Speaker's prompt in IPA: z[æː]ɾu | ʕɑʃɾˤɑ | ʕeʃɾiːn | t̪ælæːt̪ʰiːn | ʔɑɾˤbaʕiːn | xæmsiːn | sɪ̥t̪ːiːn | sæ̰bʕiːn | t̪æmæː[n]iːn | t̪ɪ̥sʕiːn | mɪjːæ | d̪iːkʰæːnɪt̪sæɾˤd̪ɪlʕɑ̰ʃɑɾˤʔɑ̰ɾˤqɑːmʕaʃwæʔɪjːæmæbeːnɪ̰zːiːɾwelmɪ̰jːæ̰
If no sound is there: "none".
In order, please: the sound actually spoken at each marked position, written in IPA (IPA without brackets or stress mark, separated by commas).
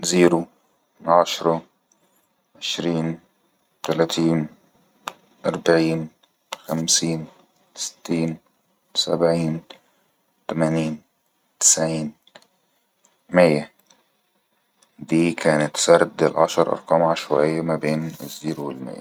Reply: iː, n